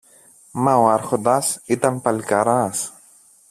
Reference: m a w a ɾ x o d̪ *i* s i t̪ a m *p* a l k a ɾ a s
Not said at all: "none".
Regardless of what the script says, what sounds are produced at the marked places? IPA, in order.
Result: a, p

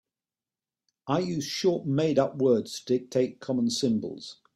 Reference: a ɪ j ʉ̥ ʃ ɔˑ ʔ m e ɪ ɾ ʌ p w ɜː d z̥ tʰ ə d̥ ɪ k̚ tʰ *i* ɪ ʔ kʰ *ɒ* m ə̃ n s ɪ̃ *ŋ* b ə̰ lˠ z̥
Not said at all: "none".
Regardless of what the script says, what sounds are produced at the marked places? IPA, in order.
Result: e, ɒ, m

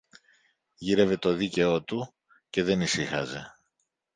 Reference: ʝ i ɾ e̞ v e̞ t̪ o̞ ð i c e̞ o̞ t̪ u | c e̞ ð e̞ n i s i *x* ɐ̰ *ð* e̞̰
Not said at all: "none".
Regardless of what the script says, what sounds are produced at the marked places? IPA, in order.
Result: x, z

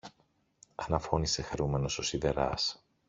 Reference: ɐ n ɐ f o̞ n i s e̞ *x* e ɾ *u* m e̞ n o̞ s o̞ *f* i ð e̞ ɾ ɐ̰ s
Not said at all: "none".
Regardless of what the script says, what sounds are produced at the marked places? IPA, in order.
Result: x, u, s

